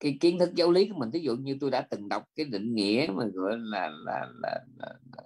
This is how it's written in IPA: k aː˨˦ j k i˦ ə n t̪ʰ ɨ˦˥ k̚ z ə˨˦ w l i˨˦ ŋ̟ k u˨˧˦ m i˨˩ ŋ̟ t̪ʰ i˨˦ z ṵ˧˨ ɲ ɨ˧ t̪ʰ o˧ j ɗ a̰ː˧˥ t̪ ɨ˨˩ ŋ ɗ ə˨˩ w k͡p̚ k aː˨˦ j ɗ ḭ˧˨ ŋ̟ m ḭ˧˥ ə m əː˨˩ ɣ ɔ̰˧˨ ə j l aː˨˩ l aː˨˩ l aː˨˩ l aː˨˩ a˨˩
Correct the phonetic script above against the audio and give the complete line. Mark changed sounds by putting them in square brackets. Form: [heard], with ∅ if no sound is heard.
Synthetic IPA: k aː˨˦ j k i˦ ə n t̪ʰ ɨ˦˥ k̚ z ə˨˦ w l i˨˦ [∅] k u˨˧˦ m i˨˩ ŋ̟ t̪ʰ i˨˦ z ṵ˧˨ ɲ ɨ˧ [t̪] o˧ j ɗ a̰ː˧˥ t̪ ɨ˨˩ ŋ ɗ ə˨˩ w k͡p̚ k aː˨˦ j ɗ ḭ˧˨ ŋ̟ [ŋ] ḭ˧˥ ə m [aː˨˩] ɣ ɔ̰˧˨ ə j l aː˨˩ l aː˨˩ l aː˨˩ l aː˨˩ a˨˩